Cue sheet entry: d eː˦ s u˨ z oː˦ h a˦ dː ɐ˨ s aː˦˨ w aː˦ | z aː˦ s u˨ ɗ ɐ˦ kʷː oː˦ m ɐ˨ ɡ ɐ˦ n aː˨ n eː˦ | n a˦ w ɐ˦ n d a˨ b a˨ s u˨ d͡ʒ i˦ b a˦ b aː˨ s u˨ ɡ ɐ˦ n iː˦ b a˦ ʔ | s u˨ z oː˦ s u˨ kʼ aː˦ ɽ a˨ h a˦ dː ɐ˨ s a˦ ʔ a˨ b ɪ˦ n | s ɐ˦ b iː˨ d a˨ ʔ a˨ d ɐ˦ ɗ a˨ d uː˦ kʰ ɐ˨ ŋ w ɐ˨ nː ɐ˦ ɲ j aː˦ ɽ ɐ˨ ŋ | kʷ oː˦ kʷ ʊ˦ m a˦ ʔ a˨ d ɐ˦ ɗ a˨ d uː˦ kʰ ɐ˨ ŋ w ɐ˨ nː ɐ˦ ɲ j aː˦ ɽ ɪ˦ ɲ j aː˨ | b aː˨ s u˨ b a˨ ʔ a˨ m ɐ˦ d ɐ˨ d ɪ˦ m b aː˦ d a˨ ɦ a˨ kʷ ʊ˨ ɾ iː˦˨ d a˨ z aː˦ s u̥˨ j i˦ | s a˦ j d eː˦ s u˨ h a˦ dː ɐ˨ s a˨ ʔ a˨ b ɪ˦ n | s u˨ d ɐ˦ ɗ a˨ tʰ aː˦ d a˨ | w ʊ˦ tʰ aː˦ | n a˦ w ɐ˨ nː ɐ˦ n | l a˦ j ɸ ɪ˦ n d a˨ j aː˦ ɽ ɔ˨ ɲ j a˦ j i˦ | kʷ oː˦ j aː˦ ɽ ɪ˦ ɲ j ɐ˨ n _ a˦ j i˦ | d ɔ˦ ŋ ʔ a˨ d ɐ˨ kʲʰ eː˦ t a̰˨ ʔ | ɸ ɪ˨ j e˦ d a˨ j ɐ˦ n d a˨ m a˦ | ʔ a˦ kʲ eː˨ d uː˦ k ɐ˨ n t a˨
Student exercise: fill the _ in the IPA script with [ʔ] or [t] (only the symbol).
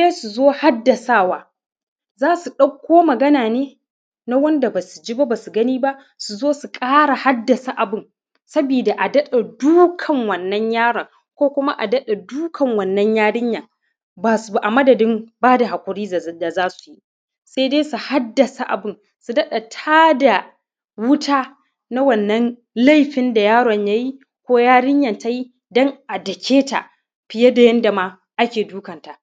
t